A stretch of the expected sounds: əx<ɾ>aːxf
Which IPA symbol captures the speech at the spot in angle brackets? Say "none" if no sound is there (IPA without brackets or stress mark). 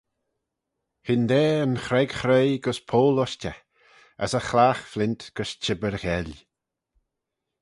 l